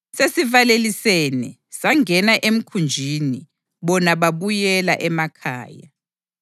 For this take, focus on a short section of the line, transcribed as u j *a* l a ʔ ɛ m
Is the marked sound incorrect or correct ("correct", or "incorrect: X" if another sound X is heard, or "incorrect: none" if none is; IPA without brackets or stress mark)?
incorrect: ɛ